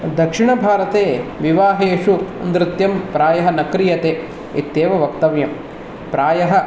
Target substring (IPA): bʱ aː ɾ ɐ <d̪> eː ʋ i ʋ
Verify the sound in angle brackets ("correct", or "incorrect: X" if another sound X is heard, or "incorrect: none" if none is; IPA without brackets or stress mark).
incorrect: t̪